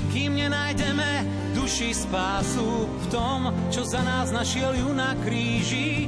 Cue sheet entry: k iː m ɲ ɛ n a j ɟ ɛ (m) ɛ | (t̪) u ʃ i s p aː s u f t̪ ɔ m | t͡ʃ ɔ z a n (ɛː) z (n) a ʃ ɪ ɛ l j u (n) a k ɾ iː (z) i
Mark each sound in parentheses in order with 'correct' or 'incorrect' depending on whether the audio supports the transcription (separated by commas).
correct, incorrect, incorrect, correct, correct, incorrect